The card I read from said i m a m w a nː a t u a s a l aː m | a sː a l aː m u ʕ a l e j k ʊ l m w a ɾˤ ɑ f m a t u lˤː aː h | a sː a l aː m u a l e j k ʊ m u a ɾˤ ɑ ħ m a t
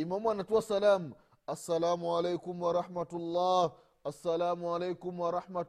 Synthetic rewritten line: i m a m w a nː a t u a s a l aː m | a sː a l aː m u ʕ a l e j k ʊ m w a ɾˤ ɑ ħ m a t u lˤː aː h | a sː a l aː m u a l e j k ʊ m w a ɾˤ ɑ ħ m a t